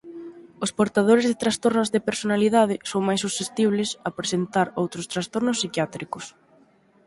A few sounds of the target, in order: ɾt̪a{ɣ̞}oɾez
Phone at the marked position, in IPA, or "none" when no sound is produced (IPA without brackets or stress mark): ð̞